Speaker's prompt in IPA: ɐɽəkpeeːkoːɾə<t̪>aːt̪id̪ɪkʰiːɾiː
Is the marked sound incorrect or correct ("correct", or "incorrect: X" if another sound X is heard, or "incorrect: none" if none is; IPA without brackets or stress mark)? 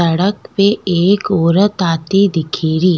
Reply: correct